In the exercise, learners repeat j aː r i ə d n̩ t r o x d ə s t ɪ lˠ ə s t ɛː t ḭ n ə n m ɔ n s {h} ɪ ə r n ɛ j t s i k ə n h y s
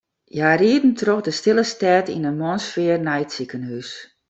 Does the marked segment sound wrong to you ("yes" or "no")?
yes